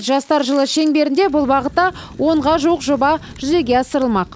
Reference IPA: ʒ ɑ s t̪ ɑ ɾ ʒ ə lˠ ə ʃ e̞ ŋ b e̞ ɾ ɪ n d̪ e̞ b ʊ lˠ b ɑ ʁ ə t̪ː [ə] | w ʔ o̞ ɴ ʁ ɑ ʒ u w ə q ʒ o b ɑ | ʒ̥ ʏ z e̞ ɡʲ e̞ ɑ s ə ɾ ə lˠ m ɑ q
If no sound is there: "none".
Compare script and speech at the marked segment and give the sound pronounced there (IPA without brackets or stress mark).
ɑ